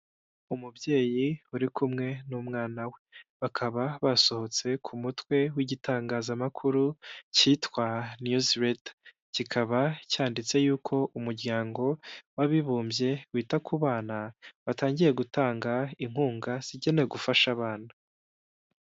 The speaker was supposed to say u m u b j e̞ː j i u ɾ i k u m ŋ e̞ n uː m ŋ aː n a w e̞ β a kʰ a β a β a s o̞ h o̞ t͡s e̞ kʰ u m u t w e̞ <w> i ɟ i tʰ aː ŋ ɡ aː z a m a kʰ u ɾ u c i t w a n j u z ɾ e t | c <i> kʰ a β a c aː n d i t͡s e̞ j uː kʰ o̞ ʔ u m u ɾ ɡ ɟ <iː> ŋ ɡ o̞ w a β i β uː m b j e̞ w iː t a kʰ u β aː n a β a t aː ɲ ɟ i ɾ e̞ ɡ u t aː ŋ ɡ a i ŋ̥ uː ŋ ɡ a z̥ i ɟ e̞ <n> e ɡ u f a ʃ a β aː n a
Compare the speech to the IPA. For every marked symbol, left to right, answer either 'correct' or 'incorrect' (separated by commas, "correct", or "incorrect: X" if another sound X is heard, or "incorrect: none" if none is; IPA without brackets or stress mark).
correct, correct, incorrect: aː, correct